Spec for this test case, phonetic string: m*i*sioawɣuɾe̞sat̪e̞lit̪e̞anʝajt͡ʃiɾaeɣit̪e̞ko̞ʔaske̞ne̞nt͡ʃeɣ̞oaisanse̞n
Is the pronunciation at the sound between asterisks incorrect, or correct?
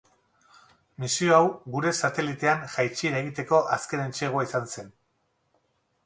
correct